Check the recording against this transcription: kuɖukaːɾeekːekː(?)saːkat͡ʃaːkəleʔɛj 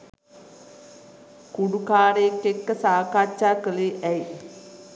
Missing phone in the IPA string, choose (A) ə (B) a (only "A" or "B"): A